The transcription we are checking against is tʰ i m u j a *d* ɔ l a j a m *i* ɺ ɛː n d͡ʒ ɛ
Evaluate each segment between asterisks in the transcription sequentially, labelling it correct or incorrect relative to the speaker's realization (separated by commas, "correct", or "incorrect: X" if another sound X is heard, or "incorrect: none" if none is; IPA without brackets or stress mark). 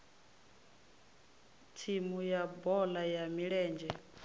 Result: incorrect: b, correct